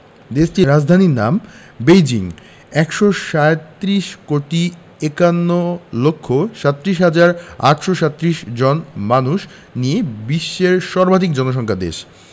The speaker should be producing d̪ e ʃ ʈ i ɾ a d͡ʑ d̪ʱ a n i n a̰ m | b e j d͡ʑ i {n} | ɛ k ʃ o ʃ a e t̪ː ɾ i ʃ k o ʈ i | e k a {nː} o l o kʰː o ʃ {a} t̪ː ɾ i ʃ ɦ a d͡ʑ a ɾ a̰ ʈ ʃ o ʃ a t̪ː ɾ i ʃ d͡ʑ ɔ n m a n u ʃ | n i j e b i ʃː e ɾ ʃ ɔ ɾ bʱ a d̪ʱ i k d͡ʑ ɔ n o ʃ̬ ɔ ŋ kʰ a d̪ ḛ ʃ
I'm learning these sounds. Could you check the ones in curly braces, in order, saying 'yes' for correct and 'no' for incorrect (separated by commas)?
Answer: no, yes, yes